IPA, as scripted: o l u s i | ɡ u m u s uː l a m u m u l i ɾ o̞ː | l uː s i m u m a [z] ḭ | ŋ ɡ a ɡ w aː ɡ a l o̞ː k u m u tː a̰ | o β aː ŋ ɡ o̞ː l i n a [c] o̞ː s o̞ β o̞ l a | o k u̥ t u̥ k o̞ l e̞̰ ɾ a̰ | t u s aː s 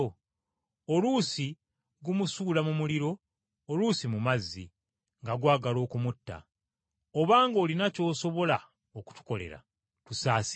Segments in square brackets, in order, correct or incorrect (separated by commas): incorrect, correct